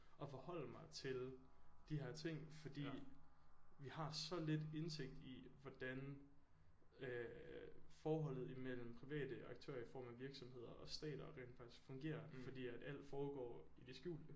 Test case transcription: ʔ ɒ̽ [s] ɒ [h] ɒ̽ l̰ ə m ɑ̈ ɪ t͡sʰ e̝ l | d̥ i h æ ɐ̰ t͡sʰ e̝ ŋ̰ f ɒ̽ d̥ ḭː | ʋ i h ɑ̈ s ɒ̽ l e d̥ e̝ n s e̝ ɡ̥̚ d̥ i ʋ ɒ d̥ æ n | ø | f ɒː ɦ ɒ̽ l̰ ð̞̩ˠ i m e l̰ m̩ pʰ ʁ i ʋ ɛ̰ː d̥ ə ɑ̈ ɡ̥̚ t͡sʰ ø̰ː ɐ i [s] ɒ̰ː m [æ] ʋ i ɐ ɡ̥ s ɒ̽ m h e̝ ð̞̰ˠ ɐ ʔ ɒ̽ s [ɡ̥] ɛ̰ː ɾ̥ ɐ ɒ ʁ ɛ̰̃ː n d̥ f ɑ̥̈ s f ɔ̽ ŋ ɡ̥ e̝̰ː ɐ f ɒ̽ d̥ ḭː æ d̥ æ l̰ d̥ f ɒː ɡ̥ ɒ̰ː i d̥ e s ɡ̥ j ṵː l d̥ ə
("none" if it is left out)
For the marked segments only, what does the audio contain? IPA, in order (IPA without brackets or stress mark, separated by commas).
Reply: f, h, f, æ, d̥